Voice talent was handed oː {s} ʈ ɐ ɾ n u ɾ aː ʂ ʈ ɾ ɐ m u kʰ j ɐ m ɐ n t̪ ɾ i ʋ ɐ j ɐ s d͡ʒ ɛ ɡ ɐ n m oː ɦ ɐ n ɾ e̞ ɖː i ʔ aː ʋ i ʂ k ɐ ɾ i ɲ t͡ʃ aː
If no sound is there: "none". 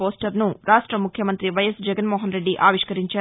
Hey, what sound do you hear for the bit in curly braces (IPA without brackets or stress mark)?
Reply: s